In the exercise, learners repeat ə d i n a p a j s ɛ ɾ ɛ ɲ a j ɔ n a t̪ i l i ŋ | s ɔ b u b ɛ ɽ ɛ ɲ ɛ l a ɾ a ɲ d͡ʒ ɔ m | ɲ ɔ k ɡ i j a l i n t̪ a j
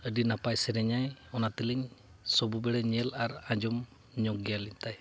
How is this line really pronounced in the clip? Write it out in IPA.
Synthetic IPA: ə d i n a p a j s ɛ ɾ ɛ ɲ a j ɔ n a t̪ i l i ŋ | s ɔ b u b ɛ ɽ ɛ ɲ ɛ l a ɾ a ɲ d͡ʒ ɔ m | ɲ ɔ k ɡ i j a l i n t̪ a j